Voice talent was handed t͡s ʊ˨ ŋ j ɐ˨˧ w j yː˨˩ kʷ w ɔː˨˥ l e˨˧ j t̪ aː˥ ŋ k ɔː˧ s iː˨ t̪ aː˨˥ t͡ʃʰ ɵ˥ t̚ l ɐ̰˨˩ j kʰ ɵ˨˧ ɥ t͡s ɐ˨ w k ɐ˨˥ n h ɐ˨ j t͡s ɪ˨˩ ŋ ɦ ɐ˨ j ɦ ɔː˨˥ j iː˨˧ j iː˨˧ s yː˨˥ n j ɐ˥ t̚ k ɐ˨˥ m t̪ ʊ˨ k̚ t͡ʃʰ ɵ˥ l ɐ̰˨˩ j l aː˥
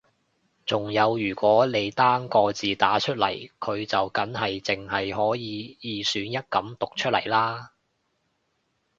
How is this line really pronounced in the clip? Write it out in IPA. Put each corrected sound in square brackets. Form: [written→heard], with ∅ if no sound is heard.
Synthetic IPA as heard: t͡s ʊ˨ ŋ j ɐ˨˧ w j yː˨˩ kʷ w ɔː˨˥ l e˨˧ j t̪ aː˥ ŋ k ɔː˧ [s→t͡s] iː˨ t̪ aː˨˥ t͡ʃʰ ɵ˥ t̚ l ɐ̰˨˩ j kʰ ɵ˨˧ ɥ t͡s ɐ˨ w k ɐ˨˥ n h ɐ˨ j t͡s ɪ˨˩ ŋ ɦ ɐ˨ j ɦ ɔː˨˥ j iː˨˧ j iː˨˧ s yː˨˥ n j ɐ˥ t̚ k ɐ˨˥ m t̪ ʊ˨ k̚ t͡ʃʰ ɵ˥ l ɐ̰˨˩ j l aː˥